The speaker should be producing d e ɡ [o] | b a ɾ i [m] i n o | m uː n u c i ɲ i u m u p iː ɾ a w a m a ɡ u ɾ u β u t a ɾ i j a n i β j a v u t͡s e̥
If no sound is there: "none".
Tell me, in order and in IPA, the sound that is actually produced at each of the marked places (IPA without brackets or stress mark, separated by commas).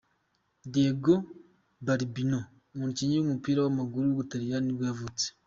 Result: o, b